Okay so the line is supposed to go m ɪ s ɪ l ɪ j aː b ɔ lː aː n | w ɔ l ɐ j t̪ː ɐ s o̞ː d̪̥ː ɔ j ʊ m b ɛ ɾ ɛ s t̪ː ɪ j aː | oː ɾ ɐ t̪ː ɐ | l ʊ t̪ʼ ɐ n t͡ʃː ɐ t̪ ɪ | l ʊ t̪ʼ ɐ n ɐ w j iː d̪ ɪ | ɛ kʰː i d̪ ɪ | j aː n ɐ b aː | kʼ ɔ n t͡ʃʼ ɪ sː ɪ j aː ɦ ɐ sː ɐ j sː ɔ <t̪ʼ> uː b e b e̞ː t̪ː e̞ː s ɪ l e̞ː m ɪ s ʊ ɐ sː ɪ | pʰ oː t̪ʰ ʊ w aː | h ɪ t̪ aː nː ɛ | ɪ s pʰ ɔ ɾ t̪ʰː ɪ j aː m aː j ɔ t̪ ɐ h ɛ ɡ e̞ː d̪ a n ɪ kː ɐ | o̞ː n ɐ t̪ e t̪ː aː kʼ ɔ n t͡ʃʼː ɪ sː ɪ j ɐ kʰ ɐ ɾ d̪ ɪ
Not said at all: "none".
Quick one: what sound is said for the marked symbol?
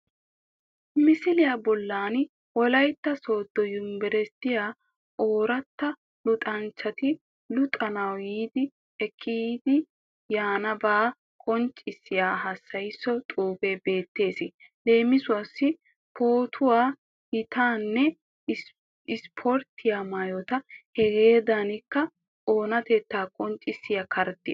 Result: t̪ʼ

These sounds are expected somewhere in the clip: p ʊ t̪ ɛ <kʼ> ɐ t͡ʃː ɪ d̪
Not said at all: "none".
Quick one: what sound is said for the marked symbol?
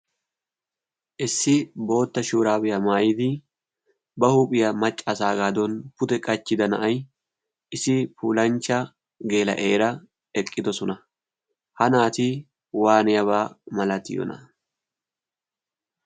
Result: kʼ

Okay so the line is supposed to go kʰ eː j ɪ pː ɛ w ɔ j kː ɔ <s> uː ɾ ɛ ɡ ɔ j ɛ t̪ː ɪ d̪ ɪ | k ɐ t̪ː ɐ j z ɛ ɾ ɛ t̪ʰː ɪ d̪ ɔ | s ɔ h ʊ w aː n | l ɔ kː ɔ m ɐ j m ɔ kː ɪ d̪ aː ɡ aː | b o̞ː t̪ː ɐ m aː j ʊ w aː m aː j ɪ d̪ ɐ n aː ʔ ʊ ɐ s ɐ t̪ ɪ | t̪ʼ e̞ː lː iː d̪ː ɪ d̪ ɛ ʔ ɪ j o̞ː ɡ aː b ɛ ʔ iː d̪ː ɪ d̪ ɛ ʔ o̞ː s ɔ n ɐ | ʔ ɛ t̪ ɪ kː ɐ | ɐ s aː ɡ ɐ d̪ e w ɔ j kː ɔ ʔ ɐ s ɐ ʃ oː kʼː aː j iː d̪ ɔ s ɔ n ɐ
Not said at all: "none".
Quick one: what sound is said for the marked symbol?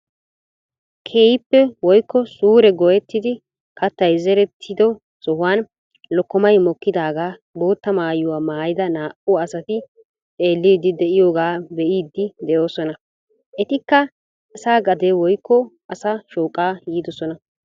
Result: s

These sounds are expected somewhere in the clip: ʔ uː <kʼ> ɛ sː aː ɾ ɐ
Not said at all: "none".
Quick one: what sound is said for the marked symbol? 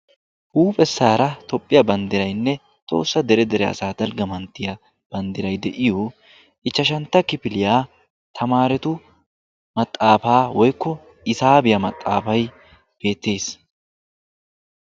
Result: pʼ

